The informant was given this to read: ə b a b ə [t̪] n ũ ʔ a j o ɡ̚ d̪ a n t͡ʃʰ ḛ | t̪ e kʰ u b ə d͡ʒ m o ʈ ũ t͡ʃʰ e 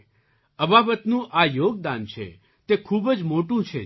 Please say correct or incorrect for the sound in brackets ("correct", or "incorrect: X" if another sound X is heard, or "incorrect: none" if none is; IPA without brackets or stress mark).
correct